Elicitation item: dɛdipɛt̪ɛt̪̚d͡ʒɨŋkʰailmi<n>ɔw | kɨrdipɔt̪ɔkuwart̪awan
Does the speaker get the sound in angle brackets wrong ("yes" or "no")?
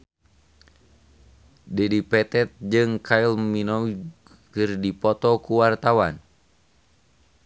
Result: no